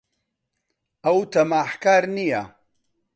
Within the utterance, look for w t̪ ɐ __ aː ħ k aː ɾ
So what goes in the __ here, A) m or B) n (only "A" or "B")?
A